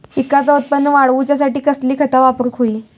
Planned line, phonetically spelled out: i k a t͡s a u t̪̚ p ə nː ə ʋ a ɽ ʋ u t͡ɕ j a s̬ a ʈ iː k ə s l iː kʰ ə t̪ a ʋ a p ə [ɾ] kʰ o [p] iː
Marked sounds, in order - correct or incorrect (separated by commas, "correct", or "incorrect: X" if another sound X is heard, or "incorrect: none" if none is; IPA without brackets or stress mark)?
correct, incorrect: none